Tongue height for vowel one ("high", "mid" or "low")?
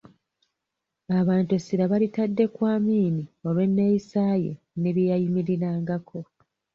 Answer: low